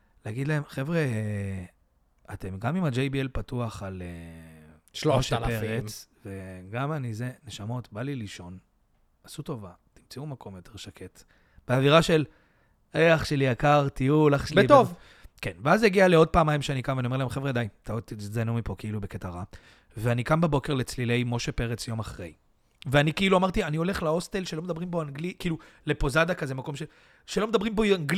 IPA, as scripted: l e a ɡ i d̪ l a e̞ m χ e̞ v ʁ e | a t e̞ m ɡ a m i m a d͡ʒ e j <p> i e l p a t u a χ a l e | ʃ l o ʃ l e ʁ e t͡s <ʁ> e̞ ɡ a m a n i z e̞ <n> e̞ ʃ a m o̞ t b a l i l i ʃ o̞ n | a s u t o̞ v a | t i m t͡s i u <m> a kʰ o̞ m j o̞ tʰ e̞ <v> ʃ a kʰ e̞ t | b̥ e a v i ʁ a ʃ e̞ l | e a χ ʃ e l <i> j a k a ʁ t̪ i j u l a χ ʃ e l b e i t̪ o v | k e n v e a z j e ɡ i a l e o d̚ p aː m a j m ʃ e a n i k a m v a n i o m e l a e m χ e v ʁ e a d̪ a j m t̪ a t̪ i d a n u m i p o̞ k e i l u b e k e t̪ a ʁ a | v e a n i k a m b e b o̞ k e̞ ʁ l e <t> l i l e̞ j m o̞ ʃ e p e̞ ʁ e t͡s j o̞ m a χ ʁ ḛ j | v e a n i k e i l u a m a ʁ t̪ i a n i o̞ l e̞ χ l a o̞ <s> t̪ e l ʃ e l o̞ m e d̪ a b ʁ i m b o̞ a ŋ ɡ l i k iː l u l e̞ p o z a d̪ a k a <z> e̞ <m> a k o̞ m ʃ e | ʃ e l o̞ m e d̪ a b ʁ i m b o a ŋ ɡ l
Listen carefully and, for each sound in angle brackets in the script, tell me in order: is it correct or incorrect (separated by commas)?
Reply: incorrect, incorrect, correct, correct, incorrect, correct, incorrect, correct, correct, correct